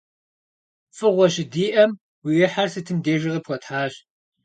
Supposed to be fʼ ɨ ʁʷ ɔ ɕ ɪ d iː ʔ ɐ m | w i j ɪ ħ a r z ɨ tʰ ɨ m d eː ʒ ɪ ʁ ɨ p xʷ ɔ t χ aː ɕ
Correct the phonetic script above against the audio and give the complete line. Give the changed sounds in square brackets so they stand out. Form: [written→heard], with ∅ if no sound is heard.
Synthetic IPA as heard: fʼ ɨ ʁʷ ɔ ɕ ɪ d iː ʔ ɐ m | w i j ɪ ħ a r [z→s] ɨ tʰ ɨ m d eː ʒ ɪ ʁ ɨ p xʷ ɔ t [χ→ħ] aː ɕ